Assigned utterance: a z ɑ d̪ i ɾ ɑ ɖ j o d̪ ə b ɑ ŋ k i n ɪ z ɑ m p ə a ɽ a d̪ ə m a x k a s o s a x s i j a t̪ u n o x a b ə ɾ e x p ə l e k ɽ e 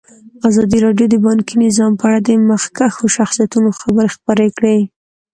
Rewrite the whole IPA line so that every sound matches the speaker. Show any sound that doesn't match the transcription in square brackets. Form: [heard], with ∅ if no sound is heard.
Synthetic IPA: a z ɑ d̪ i ɾ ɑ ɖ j o d̪ ə b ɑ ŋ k i n ɪ z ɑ m p ə a ɽ a d̪ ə m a x k a [x] o [ʃ] a x s i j a t̪ u n o x a b ə ɾ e x p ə [ɾ] e k ɽ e